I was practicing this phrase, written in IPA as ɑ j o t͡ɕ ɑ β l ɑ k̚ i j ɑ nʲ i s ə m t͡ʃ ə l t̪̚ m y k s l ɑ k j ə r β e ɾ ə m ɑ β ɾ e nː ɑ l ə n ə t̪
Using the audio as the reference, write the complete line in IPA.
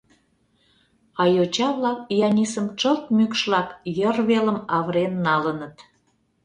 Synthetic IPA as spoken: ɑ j o t͡ɕ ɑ β l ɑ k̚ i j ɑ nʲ i s ə m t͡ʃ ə l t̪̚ m y k ʃ l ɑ k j ə r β e l ə m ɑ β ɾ e nː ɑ l ə n ə t̪

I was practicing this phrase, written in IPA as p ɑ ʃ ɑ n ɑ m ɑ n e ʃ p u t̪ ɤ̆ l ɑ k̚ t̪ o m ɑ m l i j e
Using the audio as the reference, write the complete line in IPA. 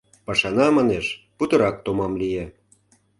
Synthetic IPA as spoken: p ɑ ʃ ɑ n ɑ m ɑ n e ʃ p u t̪ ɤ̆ ɾ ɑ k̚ t̪ o m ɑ m l i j e

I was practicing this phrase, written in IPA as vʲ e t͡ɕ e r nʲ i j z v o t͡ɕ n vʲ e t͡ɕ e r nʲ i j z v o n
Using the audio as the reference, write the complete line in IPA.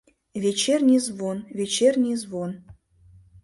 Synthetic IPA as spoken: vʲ e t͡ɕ e r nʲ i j z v o n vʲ e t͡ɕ e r nʲ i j z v o n

